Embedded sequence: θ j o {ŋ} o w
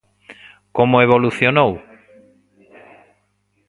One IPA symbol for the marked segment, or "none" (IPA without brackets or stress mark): n